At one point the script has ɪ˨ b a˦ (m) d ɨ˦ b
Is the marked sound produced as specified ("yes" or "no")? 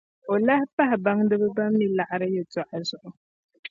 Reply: no